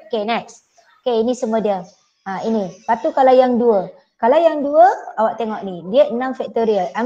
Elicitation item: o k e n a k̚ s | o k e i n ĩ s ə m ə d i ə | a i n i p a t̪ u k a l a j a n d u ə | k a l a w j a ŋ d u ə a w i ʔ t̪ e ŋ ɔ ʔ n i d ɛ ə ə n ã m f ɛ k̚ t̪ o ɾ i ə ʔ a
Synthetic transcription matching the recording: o k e n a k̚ s | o k e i n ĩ s ə m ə d i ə | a i n i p a t̪ u k a l a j a ŋ d u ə | k a l a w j a ŋ d u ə a w a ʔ t̪ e ŋ ɔ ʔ n i d i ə ə n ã m f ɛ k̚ t̪ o ɾ i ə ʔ a